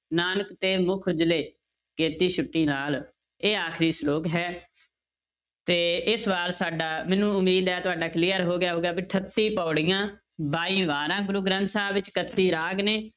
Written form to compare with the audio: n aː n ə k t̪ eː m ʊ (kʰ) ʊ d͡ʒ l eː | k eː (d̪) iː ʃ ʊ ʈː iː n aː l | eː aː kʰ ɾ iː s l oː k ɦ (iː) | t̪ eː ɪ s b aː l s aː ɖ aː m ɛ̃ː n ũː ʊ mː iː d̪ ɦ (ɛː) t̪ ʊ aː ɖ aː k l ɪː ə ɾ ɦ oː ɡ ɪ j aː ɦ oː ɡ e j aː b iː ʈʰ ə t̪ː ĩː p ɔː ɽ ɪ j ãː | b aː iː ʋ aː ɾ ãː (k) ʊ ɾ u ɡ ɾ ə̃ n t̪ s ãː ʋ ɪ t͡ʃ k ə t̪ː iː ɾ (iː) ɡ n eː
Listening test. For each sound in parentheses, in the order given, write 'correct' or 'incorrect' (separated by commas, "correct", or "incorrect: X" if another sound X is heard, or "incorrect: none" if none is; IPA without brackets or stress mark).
correct, incorrect: t̪, incorrect: ɛː, correct, incorrect: ɡ, incorrect: aː